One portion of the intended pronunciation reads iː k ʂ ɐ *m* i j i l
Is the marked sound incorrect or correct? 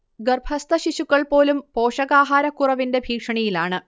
incorrect